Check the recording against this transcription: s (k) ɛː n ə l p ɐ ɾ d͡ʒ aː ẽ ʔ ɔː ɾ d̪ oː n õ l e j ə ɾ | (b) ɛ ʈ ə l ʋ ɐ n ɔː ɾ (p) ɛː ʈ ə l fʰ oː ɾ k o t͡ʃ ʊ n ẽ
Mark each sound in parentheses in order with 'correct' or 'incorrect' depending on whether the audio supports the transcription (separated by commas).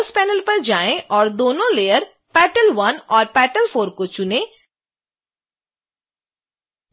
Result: incorrect, incorrect, correct